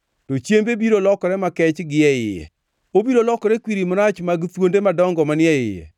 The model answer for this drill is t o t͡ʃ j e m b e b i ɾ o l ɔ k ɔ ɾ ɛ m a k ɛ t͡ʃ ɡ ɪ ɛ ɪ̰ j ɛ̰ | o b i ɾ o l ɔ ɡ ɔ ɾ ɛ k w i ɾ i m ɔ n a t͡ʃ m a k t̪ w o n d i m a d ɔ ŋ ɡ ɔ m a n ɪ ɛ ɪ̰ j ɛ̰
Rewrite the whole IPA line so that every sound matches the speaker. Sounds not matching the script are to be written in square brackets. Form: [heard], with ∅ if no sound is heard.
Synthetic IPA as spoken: t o t͡ʃ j e m b e b i ɾ o l ɔ k ɔ ɾ ɛ m a k ɛ t͡ʃ ɡ ɪ ɛ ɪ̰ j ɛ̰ | o b i ɾ o l ɔ [k] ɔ ɾ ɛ k w i ɾ i m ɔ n a t͡ʃ m a [ɡ] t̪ w o n d [e] m a d ɔ ŋ ɡ ɔ m a n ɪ ɛ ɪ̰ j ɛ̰